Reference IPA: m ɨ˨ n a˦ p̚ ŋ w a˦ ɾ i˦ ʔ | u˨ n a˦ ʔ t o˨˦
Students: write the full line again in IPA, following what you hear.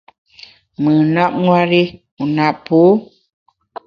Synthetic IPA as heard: m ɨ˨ n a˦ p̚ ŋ w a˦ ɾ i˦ | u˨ n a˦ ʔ p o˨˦